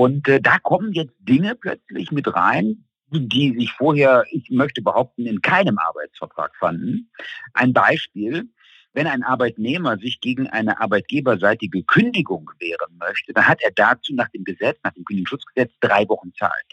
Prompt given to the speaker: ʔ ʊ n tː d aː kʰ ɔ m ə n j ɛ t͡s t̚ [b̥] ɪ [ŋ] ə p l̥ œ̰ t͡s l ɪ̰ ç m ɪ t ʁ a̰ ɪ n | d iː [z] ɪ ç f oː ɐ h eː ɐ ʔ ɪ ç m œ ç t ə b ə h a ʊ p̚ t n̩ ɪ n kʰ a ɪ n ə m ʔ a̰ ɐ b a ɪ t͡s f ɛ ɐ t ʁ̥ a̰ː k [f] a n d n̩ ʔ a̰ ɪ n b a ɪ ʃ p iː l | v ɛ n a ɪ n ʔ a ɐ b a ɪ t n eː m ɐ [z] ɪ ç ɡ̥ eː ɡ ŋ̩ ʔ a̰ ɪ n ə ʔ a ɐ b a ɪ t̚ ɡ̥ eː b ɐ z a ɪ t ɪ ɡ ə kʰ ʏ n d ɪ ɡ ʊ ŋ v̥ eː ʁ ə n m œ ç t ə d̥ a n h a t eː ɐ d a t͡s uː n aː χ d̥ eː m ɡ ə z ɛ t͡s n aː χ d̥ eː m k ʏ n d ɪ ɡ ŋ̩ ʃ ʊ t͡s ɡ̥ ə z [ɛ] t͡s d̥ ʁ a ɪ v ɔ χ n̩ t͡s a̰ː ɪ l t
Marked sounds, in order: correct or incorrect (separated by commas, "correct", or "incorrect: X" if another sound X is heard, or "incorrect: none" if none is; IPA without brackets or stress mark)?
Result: incorrect: d̥, correct, correct, correct, correct, correct